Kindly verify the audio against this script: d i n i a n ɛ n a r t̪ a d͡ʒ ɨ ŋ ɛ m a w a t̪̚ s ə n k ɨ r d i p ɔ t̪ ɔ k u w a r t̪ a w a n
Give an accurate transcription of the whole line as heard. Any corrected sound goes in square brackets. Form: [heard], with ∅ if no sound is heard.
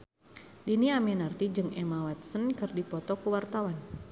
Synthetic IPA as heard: d i n i a [m] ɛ n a r t̪ [i] d͡ʒ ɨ ŋ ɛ m a w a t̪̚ s ə n k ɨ r d i p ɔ t̪ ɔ k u w a r t̪ a w a n